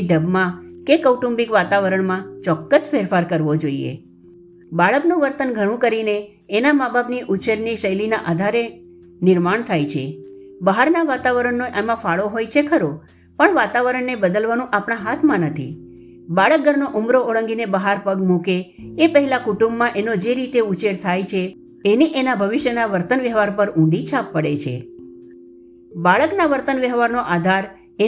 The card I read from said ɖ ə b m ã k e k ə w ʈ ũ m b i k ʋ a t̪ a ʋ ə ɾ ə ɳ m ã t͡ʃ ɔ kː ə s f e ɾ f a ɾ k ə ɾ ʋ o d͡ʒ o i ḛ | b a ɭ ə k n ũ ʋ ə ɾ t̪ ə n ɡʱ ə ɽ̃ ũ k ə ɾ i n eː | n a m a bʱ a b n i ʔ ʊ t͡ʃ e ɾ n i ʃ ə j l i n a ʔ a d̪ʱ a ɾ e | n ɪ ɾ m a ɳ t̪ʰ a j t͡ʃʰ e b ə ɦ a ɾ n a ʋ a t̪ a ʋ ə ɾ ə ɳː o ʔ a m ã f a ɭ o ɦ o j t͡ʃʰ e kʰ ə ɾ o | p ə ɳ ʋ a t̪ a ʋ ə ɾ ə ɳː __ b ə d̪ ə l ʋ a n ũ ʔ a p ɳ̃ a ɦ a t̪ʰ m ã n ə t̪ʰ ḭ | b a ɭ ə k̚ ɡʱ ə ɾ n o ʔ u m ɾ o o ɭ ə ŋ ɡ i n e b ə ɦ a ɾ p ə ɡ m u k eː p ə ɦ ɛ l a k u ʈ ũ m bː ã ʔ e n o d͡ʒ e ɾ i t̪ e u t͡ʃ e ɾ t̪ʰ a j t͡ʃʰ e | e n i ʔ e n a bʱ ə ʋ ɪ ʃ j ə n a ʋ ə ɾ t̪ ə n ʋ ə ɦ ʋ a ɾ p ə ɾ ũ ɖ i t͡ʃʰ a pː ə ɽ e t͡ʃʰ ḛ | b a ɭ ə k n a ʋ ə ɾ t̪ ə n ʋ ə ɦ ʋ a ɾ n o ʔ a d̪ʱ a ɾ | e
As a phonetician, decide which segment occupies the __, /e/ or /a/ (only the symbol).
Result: e